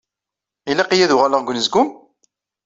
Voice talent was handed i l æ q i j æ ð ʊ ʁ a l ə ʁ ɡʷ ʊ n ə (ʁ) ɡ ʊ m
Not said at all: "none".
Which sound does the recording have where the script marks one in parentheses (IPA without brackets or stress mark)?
z